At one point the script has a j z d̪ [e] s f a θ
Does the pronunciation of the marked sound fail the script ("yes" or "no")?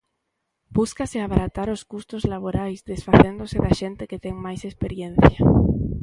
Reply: no